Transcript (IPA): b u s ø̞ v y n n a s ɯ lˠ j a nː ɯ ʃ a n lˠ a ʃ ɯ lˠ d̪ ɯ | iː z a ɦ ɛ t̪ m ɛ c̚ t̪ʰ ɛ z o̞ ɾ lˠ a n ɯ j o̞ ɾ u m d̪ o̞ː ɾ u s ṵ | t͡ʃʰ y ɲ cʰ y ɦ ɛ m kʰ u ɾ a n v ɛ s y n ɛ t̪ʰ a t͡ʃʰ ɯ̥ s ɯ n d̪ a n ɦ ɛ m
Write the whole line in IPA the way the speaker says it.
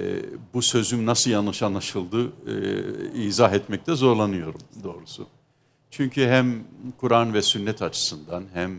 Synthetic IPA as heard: b u s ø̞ z y m n a s ɯ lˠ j a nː ɯ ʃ a n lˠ a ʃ ɯ lˠ d̪ ɯ | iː z a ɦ ɛ t̪ m ɛ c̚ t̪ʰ ɛ z o̞ ɾ lˠ a n ɯ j o̞ ɾ u m d̪ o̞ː ɾ u s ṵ | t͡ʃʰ y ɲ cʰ y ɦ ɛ m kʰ u ɾ a n v ɛ s y nː ɛ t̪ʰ a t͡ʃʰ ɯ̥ s ɯ n d̪ a n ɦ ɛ m